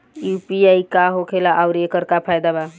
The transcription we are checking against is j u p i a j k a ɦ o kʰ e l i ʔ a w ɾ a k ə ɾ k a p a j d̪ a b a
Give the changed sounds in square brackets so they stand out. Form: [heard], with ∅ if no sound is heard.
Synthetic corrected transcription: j u p i a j k a ɦ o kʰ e l [a] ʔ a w ɾ [e] k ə ɾ k a [pʰ] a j d̪ a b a

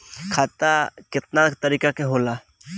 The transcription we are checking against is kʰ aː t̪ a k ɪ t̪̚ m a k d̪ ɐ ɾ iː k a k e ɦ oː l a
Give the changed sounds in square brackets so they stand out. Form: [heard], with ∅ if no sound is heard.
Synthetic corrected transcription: kʰ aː t̪ a k ɪ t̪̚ [n] a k [t̪] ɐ ɾ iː k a k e ɦ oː l a

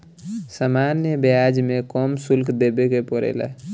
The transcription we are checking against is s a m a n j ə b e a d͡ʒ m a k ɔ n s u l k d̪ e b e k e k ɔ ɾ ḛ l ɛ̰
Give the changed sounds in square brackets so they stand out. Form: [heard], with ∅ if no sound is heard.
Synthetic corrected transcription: s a m a n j ə b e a d͡ʒ m [e] k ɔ [m] s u l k d̪ e b e k e [p] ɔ ɾ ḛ l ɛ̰

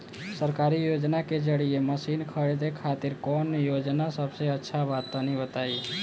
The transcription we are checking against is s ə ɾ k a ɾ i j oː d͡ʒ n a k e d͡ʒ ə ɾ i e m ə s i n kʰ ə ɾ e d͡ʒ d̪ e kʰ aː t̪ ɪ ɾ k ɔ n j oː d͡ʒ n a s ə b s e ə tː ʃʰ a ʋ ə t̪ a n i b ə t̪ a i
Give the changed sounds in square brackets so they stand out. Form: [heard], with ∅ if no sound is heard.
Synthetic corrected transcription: s ə ɾ k a ɾ i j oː d͡ʒ n a k e d͡ʒ ə [ɽ] i e m ə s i n kʰ ə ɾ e [∅] d̪ e kʰ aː t̪ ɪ ɾ k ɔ n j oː d͡ʒ n a s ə b s e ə tː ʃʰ a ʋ [a] t̪ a n i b ə t̪ a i

